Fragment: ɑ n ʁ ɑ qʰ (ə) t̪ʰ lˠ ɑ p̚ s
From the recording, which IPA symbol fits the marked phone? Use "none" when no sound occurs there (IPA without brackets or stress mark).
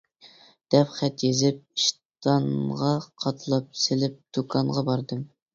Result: ɑ